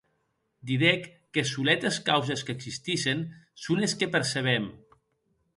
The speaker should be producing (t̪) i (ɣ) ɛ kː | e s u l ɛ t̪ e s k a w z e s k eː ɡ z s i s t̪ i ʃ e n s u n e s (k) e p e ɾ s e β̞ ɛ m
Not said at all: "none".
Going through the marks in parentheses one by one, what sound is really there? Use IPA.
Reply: d̪, ð, k

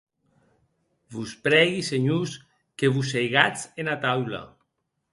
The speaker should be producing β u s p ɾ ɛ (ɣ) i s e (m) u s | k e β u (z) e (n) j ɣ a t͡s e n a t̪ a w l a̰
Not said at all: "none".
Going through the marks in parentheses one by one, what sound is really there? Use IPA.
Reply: ɣ, ɲ, s, none

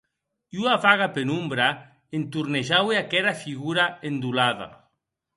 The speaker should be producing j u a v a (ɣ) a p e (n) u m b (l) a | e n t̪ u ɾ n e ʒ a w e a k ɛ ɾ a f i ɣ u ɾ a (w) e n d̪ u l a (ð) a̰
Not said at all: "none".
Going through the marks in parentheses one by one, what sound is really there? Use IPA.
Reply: ɣ, n, ɾ, none, ð

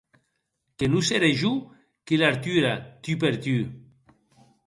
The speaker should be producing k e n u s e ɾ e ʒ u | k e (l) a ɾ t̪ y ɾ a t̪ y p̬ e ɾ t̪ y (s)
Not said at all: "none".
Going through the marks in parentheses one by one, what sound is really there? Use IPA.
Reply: l, none

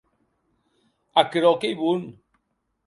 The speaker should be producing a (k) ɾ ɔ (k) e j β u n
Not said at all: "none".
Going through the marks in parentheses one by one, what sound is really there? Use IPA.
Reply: k, k

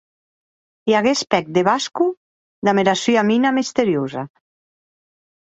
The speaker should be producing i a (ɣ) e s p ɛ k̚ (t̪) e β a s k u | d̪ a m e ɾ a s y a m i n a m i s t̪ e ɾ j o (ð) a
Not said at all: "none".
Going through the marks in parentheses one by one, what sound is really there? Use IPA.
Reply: ɣ, d̪, z

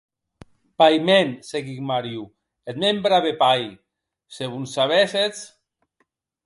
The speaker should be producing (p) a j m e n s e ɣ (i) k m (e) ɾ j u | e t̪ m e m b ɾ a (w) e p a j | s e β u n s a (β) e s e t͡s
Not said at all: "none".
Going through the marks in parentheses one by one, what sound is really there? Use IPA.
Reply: p, i, a, β, β

